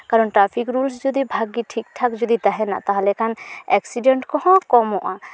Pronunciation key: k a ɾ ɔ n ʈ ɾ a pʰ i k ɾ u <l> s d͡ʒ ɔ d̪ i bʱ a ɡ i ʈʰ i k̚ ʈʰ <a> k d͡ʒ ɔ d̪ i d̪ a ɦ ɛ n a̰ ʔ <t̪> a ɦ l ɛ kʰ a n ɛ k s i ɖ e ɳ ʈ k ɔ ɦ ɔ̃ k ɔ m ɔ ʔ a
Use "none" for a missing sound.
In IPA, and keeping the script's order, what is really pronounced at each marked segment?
l, a, t̪

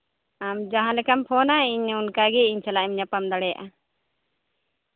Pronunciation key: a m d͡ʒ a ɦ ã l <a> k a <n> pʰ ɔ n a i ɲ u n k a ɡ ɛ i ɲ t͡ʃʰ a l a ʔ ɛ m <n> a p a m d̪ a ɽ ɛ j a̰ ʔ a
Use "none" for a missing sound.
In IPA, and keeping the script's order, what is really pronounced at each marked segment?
ɛ, m, ɲ

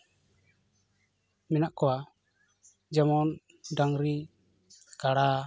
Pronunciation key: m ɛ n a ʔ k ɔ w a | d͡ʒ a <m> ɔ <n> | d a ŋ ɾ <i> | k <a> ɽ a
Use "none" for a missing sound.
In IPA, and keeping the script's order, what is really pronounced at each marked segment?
m, n, i, a

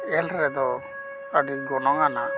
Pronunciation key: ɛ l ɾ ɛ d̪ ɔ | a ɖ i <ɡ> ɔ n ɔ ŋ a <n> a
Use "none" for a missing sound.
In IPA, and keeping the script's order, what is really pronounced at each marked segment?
ɡ, n

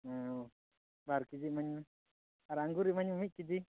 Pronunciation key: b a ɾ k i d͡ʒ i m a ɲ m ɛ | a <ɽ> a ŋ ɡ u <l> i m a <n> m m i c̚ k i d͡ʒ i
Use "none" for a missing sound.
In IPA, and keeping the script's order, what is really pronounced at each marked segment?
ɾ, ɾ, ɲ

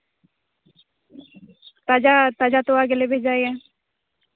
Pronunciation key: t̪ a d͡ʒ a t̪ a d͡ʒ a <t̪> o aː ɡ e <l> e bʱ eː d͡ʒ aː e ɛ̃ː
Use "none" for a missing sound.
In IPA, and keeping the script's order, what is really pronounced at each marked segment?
t̪, l

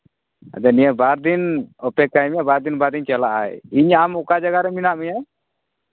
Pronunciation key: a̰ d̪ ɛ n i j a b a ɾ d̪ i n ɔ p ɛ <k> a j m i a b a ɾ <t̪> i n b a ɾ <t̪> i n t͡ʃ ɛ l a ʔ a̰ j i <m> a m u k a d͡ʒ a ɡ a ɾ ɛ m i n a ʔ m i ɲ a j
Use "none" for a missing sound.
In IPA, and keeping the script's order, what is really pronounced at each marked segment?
k, d̪, d̪, ɲ

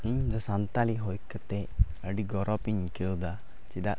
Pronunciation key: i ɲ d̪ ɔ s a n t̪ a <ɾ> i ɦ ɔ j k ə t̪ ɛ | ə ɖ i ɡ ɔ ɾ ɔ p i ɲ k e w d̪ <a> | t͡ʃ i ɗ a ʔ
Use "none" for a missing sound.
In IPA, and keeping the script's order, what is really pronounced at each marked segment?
l, a

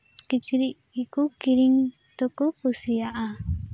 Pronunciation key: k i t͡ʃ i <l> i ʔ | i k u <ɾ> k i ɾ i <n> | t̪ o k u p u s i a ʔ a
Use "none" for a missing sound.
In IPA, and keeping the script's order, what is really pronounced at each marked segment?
ɾ, none, ŋ

